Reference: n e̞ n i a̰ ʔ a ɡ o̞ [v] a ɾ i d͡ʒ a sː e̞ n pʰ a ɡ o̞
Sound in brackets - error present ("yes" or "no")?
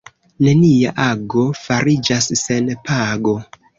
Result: yes